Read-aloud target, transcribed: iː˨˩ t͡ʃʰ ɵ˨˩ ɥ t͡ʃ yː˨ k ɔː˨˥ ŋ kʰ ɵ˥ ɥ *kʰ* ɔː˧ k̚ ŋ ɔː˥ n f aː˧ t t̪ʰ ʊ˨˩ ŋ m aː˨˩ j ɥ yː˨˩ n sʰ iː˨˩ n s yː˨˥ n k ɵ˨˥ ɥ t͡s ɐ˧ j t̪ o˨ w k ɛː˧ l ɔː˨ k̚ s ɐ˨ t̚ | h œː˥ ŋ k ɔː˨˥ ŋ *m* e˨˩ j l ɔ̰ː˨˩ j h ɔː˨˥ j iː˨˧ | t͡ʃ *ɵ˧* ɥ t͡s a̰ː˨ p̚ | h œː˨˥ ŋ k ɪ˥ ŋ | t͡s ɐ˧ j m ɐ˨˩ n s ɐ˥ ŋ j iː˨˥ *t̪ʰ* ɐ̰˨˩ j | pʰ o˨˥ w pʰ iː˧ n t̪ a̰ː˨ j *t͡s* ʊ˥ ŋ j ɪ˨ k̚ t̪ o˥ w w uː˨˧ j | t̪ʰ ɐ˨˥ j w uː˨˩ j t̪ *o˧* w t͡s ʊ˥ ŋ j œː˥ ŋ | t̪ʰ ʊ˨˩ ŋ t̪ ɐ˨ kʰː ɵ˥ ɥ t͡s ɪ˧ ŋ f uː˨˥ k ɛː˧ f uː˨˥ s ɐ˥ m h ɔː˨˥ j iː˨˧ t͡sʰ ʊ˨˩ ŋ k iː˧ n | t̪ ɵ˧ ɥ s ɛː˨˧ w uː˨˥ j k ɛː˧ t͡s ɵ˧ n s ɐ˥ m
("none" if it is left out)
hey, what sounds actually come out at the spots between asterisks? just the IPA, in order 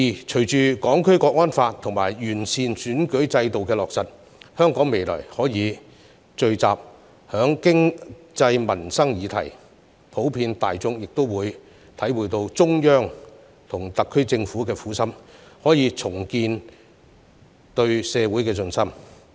k, m, ɵ˧, t̪ʰ, t͡s, o˧

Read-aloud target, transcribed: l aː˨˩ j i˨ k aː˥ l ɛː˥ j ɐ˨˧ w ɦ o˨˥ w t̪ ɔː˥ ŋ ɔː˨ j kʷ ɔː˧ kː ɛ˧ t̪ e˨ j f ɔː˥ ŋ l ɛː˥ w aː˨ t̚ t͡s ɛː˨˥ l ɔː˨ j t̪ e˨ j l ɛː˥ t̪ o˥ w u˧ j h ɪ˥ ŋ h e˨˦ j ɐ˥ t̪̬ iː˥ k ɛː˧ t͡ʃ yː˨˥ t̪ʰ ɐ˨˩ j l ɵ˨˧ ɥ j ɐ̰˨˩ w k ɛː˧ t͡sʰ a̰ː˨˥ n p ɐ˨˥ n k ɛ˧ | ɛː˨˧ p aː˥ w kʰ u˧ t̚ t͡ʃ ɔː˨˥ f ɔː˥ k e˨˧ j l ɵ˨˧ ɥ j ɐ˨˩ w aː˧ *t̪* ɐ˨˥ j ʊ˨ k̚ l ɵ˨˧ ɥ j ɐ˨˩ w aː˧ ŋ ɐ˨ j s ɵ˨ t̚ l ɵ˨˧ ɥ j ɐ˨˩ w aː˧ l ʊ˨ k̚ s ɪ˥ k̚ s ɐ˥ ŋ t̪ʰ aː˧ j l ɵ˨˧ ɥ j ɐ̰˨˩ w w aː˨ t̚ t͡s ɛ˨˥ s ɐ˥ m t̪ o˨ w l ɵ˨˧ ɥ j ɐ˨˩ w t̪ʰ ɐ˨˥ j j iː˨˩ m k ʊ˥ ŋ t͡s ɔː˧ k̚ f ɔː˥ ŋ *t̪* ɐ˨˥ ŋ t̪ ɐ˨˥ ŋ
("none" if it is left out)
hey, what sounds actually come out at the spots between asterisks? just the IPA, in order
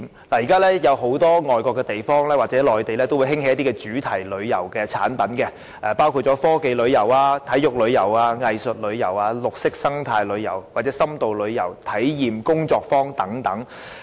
t̪ʰ, t̪

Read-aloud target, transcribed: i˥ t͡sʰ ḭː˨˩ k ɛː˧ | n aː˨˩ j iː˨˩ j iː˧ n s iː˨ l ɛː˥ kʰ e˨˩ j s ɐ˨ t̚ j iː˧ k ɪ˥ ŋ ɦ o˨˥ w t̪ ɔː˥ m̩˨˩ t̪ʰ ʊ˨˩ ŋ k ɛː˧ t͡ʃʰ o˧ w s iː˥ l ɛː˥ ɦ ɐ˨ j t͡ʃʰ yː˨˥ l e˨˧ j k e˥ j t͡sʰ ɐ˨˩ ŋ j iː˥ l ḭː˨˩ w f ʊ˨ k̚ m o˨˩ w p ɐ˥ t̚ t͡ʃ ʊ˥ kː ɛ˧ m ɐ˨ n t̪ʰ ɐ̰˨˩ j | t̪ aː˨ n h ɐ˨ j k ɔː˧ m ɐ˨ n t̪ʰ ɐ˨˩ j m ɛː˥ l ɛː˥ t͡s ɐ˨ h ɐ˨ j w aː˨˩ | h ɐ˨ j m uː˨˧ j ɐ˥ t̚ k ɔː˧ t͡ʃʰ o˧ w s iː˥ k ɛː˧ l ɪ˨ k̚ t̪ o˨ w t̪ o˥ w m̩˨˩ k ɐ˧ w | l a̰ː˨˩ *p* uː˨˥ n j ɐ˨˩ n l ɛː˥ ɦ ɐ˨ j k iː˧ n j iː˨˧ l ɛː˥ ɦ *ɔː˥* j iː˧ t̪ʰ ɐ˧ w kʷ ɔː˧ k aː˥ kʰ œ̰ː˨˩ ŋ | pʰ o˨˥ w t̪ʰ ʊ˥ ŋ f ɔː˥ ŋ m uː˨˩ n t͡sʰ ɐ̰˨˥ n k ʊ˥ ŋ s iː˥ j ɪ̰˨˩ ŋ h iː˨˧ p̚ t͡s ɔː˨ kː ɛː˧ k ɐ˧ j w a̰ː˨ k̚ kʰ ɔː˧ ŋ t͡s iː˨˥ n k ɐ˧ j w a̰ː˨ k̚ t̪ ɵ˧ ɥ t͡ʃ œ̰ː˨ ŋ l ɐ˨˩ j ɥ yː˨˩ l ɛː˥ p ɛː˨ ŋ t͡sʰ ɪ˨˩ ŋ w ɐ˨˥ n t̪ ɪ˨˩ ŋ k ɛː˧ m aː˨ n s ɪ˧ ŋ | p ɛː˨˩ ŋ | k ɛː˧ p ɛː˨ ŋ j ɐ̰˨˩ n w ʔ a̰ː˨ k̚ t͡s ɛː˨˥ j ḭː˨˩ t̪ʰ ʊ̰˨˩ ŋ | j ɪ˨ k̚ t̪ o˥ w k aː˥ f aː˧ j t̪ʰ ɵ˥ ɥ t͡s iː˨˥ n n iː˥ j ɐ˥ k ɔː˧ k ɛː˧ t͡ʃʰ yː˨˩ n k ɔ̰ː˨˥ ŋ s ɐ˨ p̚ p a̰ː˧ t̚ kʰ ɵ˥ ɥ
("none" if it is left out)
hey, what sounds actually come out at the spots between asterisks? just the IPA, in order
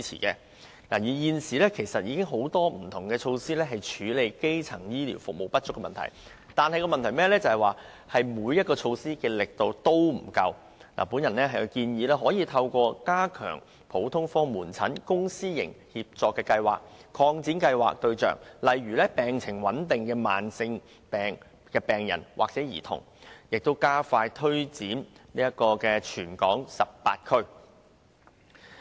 p, ɔː˨˥

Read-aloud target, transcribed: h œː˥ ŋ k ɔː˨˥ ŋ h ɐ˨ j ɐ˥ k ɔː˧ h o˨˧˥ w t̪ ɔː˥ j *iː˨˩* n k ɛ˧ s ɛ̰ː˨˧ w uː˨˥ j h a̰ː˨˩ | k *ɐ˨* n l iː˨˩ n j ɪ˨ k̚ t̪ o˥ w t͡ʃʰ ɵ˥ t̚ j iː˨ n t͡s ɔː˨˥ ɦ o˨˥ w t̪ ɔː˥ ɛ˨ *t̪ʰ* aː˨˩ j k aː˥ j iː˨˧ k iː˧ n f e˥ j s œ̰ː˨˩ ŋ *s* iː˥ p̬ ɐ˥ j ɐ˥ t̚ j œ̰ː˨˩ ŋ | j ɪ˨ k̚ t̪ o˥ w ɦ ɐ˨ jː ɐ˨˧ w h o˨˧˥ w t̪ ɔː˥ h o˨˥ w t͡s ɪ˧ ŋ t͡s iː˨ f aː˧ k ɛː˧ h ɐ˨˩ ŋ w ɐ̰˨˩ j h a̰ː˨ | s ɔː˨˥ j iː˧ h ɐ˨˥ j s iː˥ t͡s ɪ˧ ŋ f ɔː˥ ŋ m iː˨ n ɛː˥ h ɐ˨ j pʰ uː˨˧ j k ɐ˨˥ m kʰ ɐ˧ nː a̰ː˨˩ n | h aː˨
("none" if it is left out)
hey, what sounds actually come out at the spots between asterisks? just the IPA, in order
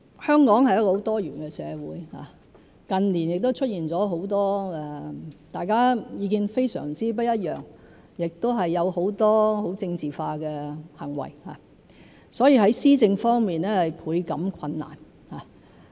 yː˨˩, ɐ˨, t̪, t͡s

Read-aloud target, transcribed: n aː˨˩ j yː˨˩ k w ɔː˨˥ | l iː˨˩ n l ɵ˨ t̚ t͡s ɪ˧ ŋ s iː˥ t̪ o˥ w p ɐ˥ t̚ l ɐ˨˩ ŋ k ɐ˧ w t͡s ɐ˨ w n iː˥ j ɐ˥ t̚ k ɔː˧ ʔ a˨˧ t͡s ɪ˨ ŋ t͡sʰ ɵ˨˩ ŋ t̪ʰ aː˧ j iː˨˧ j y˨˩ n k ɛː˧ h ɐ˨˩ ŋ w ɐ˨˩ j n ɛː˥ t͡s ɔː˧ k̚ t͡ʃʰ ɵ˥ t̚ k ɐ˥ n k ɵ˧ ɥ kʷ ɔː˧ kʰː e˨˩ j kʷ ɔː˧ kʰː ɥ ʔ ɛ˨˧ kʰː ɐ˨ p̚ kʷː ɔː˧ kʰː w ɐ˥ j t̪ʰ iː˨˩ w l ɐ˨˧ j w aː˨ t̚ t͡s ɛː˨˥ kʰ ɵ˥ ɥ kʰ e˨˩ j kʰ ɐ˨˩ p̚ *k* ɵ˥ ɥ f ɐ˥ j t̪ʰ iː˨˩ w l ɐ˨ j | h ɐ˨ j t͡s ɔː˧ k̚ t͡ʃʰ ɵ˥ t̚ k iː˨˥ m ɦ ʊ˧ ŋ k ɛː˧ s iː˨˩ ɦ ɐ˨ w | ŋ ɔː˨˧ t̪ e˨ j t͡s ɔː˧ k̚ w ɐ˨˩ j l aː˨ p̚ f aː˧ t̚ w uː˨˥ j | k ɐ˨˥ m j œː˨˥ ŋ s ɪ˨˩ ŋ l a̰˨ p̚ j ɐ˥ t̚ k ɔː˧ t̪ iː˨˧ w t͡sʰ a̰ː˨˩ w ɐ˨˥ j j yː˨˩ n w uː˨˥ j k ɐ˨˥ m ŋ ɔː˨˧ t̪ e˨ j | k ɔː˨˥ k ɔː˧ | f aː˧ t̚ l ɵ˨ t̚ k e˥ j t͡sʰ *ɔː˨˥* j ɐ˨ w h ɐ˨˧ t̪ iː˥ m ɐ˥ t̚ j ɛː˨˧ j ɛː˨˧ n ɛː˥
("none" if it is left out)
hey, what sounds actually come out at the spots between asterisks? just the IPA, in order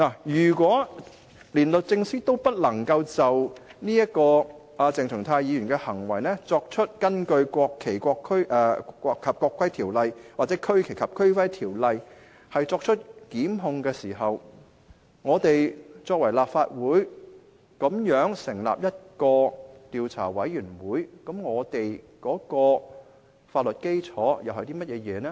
kʰ, ɔː˨˥

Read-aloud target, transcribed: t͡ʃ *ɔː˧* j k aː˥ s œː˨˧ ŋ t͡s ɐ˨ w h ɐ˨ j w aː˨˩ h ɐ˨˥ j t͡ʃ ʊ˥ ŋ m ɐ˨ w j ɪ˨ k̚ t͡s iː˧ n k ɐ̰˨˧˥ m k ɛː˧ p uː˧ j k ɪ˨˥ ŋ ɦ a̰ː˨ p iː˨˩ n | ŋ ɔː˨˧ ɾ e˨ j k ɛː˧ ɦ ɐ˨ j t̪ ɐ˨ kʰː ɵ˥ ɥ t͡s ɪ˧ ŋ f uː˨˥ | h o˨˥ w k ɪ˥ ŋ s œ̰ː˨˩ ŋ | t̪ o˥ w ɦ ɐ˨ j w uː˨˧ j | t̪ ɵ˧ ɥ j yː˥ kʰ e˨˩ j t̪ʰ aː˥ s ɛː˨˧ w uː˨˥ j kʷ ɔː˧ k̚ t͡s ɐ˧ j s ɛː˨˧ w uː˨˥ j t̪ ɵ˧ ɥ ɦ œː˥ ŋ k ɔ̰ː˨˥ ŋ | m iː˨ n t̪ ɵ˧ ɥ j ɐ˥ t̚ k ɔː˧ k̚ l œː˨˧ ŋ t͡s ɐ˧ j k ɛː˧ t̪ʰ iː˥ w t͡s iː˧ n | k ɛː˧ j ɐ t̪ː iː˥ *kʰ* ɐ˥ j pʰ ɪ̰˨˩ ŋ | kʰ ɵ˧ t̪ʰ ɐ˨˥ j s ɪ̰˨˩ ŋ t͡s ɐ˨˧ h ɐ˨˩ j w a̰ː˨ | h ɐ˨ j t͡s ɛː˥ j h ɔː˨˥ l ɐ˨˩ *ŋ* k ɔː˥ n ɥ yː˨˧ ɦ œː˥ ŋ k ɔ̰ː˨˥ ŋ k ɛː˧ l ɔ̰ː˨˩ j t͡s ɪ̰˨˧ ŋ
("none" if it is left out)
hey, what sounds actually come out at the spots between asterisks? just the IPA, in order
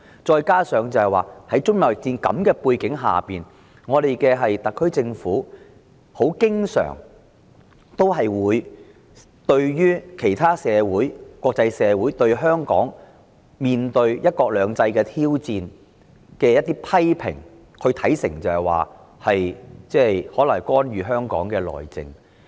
ɔː˧, pʰ, ŋ

